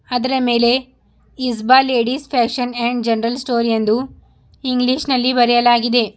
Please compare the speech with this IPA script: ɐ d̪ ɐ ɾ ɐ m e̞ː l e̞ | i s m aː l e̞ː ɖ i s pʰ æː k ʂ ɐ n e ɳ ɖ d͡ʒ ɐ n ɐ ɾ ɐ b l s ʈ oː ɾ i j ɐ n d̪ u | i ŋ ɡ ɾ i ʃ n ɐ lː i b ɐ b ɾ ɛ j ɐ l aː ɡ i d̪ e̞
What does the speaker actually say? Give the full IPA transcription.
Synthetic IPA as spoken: ɐ d̪ ɐ ɾ ɐ m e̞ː l e̞ | i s b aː l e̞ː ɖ i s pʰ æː k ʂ ɐ n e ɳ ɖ d͡ʒ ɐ n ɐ ɾ ɐ l s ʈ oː ɾ i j ɐ n d̪ u | i ŋ ɡ l i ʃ n ɐ lː i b ɐ ɾ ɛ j ɐ l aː ɡ i d̪ e̞